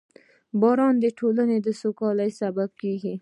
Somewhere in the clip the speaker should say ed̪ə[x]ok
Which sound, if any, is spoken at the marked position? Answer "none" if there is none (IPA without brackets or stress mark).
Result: s